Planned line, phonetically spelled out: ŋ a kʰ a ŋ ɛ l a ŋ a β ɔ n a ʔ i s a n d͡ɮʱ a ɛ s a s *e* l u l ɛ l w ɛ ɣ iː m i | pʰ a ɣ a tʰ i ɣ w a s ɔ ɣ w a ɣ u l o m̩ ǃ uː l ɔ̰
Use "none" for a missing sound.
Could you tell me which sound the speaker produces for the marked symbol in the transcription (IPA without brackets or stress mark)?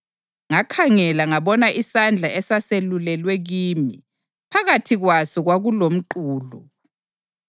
e